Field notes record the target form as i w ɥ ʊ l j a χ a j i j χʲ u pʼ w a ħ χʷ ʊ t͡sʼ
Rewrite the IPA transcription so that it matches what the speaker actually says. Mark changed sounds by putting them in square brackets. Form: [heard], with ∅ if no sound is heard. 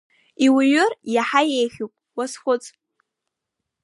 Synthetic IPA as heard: i w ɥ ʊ [r] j a [ħ] a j [e] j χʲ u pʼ w a [s] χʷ ʊ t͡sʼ